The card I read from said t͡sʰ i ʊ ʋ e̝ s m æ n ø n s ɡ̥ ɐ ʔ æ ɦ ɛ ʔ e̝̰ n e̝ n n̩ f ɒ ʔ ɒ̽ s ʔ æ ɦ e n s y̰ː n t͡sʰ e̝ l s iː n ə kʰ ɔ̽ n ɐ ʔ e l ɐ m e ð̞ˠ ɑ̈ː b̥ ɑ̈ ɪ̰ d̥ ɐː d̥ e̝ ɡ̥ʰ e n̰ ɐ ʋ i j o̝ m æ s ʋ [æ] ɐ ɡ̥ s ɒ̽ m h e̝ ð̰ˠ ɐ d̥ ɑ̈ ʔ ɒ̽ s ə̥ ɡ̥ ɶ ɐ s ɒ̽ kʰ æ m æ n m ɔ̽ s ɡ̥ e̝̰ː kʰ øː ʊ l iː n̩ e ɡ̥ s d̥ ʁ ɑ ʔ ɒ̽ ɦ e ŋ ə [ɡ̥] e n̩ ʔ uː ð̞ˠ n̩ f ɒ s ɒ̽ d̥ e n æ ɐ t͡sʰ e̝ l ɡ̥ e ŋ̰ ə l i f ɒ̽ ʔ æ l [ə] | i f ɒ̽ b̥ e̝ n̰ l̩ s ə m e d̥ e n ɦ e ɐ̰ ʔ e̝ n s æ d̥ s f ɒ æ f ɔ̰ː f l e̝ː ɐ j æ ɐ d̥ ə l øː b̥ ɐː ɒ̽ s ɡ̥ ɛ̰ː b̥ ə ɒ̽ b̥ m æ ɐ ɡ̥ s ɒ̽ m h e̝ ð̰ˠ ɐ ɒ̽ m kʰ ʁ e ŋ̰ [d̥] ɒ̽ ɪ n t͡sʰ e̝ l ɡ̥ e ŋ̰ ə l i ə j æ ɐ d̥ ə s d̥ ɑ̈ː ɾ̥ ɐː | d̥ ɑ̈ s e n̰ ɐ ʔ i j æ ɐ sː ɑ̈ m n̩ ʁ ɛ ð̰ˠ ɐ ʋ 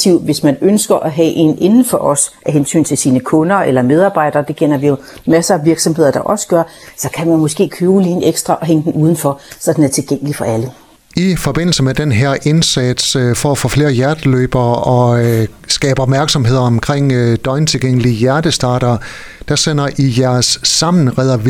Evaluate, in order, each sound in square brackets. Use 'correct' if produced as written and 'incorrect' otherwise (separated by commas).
incorrect, incorrect, correct, correct